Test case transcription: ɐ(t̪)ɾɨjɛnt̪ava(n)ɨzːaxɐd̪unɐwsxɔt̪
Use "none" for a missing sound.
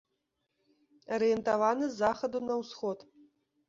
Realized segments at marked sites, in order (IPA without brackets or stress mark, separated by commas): none, n